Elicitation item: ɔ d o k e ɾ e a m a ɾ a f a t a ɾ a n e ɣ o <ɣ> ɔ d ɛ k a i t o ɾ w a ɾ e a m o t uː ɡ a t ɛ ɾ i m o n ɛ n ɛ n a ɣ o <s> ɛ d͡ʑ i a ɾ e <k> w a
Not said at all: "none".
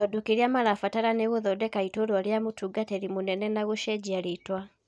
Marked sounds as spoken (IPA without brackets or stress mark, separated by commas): ð, ʃ, t